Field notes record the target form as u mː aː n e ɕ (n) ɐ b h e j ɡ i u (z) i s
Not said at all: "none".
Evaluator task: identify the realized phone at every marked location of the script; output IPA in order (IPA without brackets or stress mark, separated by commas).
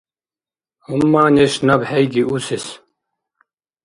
n, s